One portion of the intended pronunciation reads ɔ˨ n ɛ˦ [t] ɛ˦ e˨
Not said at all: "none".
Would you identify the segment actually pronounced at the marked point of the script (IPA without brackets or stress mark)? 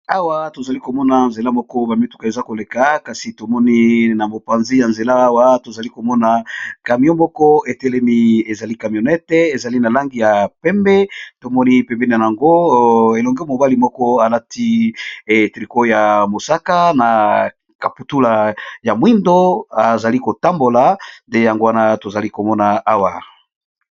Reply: t